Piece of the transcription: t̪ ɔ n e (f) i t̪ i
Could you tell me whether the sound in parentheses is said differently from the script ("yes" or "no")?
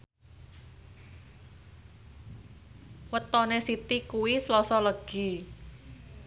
yes